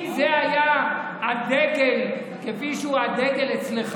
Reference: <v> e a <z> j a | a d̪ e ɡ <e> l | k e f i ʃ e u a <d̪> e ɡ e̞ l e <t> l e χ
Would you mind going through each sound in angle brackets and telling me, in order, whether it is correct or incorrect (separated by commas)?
incorrect, incorrect, correct, correct, incorrect